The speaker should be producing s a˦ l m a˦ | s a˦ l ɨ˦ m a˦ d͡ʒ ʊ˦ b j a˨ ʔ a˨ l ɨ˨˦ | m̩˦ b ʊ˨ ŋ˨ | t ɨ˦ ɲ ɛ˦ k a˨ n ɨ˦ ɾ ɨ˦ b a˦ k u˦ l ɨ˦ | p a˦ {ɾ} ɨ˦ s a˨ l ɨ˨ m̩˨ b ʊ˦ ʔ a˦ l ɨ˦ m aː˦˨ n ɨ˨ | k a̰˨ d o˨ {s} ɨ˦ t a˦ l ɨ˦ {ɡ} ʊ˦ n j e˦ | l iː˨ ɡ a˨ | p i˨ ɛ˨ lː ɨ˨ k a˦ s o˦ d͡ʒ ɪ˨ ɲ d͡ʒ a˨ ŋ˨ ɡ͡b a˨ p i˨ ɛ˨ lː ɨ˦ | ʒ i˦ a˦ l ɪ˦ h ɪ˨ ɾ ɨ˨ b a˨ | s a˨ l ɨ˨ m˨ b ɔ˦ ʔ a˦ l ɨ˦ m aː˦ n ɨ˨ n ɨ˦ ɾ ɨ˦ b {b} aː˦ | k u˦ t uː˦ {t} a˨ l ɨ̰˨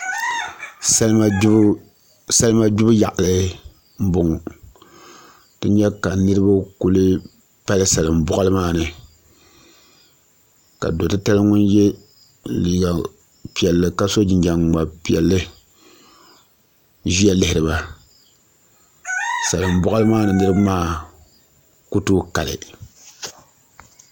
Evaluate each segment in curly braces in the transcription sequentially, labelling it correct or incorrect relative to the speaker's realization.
incorrect: l, incorrect: t, incorrect: ŋ, incorrect: m, incorrect: k

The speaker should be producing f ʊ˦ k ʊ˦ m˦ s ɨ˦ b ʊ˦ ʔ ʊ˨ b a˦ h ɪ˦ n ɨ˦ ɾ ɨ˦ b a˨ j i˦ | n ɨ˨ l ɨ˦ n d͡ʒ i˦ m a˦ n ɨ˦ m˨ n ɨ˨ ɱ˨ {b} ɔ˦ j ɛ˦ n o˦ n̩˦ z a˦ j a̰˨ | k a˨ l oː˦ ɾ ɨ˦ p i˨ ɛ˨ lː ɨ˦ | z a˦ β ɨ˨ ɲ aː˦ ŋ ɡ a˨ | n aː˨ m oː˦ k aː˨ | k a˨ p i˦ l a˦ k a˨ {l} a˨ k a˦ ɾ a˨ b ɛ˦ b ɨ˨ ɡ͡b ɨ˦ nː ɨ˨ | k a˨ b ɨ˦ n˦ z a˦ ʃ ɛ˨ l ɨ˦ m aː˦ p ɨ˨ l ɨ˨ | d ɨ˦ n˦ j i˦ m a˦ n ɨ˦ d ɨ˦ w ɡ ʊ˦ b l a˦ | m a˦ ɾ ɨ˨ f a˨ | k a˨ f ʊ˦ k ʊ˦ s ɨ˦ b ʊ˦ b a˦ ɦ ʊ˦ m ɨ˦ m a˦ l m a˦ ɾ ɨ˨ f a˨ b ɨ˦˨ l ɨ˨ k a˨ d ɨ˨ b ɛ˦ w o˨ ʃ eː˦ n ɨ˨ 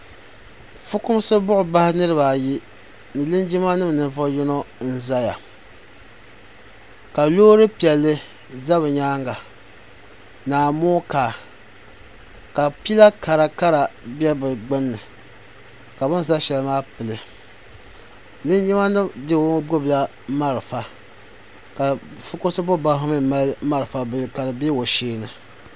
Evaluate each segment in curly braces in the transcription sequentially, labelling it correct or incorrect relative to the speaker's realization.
incorrect: v, incorrect: ɾ

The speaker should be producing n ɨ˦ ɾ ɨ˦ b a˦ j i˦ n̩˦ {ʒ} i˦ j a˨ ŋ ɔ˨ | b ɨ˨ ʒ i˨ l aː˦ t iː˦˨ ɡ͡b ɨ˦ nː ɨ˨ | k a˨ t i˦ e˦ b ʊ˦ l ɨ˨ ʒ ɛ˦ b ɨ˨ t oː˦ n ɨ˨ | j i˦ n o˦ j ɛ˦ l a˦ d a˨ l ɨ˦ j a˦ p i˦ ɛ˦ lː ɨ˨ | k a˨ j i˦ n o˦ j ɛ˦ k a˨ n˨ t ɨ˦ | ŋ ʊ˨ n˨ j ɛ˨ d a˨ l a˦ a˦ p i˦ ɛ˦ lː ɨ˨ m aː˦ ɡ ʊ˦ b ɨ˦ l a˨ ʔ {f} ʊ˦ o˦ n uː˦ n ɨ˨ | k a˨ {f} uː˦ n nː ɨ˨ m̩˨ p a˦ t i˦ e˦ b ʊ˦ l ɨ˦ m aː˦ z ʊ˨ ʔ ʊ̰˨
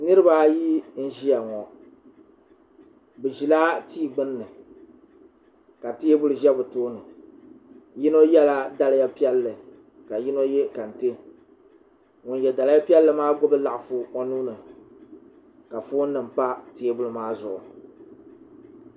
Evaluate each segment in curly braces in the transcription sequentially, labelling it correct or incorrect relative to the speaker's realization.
correct, correct, correct

